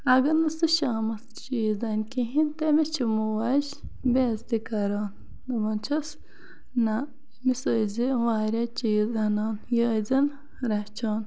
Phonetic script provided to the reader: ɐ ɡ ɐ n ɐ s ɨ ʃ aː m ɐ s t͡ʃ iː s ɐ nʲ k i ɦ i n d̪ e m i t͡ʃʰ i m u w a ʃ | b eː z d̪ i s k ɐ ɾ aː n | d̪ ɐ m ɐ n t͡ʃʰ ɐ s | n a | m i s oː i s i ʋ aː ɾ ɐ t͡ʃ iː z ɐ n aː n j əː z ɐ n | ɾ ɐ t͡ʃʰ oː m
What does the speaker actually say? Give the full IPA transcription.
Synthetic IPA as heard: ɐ ɡ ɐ n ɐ s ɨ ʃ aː m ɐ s t͡ʃ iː z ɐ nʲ k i ɦ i n t̪ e m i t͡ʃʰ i m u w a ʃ | b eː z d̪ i k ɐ ɾ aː n | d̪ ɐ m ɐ n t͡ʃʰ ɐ s | n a | m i s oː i z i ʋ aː ɾ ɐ t͡ʃ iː z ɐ n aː n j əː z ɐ n | ɾ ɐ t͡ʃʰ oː n